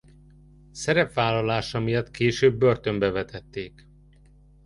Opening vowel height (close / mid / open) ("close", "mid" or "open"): mid